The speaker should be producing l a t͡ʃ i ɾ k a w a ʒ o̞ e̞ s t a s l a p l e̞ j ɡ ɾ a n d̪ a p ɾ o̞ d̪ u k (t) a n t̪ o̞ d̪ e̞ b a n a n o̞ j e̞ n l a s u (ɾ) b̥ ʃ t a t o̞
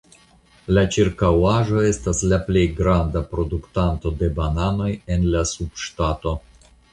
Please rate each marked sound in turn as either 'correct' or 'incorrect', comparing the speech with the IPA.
correct, incorrect: none

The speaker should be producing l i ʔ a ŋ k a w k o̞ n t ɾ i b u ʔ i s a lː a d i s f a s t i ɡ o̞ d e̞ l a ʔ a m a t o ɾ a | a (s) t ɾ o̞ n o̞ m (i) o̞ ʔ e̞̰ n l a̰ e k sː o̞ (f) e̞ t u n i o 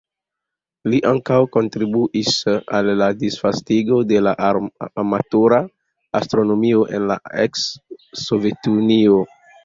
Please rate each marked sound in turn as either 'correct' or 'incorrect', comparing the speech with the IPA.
correct, correct, incorrect: v

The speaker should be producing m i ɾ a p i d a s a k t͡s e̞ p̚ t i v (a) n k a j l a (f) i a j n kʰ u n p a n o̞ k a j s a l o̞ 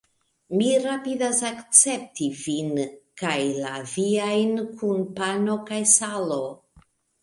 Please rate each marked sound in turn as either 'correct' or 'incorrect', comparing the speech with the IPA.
incorrect: i, incorrect: v

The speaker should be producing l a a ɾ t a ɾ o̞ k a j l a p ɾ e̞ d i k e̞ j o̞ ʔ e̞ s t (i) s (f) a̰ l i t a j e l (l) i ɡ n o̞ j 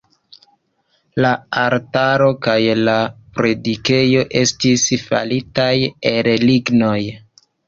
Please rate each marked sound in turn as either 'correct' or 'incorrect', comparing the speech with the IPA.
correct, correct, correct

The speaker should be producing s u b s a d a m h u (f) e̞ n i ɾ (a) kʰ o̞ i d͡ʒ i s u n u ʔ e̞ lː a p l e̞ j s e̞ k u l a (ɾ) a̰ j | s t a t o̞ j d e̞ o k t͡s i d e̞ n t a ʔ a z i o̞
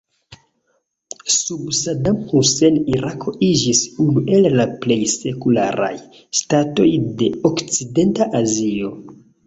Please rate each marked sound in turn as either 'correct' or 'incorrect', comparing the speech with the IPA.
incorrect: s, correct, correct

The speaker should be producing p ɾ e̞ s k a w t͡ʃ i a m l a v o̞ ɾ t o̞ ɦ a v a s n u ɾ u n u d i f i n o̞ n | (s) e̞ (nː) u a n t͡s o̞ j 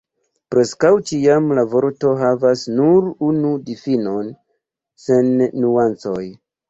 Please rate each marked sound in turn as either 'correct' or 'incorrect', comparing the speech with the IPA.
correct, correct

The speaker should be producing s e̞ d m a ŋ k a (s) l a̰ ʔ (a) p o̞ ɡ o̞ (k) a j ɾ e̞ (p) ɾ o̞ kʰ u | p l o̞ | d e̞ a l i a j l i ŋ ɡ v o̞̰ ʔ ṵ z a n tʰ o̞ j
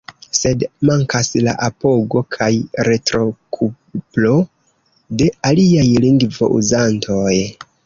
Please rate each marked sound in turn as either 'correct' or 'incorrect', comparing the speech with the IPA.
correct, correct, incorrect: kʰ, incorrect: t

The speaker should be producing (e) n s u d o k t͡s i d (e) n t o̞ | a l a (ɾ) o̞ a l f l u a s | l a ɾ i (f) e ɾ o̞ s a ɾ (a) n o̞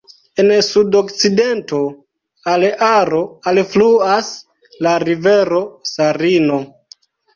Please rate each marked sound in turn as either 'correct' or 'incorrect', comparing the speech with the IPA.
correct, correct, correct, incorrect: v, incorrect: i

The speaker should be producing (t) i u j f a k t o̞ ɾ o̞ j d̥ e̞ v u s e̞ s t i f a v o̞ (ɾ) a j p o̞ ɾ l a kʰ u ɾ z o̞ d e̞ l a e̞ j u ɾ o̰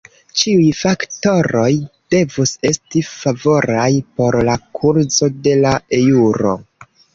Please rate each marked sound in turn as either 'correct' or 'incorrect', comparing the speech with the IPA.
incorrect: t͡ʃ, correct

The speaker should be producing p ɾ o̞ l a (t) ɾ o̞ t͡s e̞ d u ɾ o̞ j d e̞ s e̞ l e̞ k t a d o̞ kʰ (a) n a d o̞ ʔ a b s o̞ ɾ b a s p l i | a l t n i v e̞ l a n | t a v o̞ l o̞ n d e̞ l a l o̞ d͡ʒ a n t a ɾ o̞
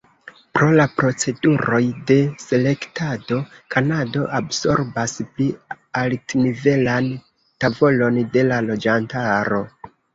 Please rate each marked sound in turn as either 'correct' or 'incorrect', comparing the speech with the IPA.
incorrect: p, correct

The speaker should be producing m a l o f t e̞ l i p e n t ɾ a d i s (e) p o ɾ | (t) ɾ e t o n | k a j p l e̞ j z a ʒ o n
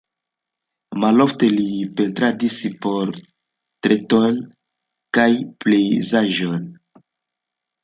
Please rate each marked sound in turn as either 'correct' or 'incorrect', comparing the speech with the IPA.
incorrect: i, correct

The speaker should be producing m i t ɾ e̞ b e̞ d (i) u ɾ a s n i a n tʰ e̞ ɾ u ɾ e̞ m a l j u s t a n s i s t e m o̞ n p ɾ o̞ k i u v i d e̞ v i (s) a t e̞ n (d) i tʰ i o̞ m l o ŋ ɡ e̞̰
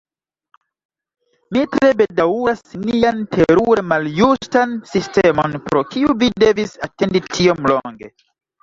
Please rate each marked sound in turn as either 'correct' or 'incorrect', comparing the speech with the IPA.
incorrect: a, correct, correct

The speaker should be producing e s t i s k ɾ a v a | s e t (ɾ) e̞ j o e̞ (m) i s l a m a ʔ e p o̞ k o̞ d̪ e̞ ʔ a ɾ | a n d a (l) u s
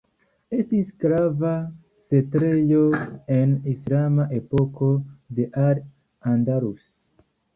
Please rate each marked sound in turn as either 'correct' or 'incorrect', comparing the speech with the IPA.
correct, incorrect: n, incorrect: ɾ

